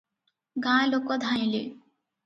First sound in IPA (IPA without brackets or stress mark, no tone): ɡ